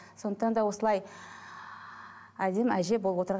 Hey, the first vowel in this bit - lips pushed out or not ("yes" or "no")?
yes